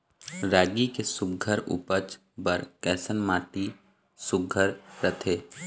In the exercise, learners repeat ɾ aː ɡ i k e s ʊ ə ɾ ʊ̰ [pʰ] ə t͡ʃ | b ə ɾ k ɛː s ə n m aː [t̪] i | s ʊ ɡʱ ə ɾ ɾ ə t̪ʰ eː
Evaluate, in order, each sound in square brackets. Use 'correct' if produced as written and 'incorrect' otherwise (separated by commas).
incorrect, correct